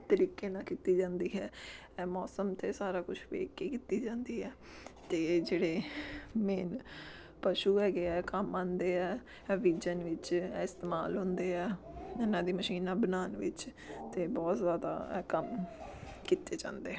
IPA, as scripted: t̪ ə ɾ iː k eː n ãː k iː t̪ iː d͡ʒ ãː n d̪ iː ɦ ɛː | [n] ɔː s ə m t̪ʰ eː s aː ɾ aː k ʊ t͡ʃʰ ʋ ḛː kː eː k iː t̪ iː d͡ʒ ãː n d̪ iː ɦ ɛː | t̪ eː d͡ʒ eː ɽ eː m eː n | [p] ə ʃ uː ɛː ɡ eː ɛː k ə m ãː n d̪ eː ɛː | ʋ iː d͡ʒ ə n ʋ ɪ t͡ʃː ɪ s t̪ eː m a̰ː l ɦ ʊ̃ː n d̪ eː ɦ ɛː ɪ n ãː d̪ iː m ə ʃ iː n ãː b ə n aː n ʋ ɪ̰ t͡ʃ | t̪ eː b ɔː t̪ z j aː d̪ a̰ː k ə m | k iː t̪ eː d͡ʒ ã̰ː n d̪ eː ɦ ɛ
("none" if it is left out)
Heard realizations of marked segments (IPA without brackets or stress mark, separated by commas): m, p